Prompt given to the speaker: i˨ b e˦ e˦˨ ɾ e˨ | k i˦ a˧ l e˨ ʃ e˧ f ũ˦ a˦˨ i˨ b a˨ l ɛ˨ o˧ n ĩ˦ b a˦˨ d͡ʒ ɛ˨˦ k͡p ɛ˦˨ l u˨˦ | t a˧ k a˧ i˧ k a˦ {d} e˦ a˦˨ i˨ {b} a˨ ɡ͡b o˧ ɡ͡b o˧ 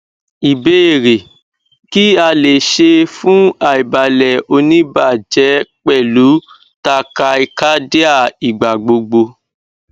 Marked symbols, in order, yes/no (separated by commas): yes, no